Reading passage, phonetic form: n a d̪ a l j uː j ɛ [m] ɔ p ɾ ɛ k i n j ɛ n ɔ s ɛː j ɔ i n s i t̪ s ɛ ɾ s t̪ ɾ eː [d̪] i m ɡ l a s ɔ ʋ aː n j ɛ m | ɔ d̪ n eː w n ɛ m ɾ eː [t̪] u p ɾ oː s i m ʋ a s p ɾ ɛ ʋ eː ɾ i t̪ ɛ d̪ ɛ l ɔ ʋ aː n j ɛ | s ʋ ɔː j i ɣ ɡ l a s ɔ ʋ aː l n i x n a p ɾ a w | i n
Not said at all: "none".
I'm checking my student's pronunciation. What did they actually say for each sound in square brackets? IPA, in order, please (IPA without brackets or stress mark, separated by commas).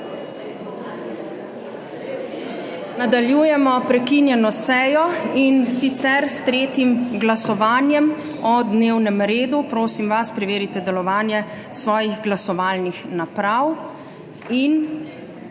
m, t̪, d̪